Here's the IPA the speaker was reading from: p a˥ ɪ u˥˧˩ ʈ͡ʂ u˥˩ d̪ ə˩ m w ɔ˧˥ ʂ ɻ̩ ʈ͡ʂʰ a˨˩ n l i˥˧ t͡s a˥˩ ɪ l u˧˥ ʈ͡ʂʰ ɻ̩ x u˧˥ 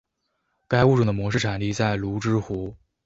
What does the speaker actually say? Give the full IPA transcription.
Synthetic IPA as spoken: k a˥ ɪ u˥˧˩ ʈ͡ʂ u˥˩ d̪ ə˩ m w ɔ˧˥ ʂ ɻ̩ ʈ͡ʂʰ a˨˩ n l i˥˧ t͡s a˥˩ ɪ l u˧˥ ʈ͡ʂ ɻ̩ x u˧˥